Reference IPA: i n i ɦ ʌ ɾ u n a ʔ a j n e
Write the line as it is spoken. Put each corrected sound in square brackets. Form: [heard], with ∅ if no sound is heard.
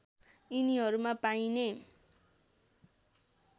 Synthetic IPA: i n i ɦ ʌ ɾ u [m] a [p] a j n e